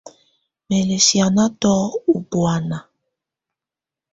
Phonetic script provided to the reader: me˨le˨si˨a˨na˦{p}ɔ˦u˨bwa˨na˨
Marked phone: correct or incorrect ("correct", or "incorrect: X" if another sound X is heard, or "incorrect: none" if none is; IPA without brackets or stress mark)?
incorrect: t